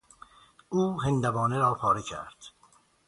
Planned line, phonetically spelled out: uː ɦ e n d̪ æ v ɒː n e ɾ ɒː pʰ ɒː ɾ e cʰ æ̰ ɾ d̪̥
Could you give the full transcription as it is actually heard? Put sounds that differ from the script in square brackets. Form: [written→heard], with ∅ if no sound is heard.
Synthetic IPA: uː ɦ e n d̪ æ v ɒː n e ɾ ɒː pʰ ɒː ɾ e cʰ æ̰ ɾ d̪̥